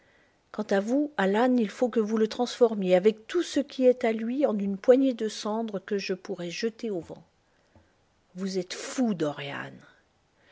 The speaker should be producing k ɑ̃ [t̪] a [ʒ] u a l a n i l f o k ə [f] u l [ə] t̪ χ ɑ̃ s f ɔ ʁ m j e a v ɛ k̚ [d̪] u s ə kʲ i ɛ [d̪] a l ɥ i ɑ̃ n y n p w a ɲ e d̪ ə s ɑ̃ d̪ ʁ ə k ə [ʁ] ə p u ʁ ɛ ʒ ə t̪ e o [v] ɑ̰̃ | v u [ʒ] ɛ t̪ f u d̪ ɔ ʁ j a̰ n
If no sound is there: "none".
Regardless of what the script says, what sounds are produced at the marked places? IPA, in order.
t̪, v, v, ə, t̪, t̪, ʒ, v, z

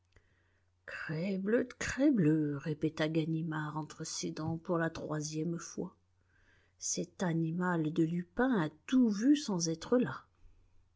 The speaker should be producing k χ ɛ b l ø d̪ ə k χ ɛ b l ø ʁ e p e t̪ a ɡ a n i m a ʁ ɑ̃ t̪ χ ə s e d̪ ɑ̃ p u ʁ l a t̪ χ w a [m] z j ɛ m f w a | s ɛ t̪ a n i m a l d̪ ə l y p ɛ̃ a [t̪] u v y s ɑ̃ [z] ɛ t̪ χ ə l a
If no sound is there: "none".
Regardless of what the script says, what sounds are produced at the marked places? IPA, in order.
none, t̪, z

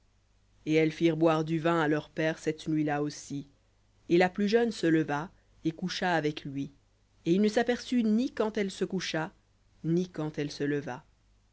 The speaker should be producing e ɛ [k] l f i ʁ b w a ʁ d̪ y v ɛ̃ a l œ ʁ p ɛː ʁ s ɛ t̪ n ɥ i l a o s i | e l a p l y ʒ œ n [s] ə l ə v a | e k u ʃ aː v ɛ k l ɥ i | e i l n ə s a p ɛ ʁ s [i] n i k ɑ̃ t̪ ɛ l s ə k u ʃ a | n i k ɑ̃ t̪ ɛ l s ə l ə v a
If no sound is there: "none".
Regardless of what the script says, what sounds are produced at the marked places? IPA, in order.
none, s, y

